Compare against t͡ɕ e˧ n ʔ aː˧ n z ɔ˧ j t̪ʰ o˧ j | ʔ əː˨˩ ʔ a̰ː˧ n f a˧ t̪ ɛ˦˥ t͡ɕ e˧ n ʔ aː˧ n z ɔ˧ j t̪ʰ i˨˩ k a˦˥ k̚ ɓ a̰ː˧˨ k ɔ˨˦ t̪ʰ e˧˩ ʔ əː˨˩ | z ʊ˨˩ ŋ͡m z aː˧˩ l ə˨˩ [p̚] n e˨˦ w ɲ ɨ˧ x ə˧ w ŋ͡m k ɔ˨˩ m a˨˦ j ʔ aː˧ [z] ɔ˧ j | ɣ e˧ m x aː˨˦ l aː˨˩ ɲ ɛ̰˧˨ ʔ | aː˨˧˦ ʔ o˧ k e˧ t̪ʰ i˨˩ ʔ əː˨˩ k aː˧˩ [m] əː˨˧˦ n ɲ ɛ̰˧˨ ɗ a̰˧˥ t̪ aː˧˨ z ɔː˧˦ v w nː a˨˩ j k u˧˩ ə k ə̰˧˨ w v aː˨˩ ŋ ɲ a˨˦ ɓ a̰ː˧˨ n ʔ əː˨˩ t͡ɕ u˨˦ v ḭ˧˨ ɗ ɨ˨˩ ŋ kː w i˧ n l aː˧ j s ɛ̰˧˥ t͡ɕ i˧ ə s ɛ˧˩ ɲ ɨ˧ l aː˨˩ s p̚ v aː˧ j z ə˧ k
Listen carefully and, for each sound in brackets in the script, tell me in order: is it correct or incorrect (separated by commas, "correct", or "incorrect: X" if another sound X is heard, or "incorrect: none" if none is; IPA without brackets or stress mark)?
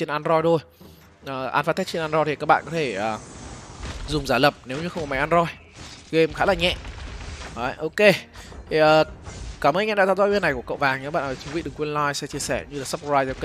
correct, correct, correct